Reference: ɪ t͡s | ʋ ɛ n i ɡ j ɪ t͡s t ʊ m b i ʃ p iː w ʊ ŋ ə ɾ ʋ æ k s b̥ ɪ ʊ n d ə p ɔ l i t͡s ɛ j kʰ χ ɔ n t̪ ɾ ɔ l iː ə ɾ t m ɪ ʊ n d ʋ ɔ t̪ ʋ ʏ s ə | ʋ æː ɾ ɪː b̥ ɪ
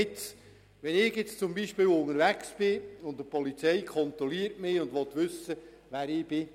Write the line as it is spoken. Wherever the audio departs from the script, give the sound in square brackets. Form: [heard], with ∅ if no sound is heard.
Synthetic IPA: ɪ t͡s | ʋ ɛ n [ɪ] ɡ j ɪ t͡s [t͡s] ʊ m b i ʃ p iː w ʊ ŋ ə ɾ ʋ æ k s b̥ ɪ ʊ n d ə p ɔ l i t͡s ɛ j kʰ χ ɔ n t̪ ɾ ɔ l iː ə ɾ t m ɪ ʊ n d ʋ ɔ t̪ ʋ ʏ s ə | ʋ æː ɾ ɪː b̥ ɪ